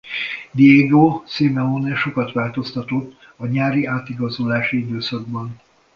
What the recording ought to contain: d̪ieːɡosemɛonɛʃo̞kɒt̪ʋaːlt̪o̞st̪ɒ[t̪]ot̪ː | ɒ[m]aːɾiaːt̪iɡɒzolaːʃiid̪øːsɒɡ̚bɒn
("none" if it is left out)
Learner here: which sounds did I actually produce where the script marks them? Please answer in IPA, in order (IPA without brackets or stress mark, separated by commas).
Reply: t̪, ɲ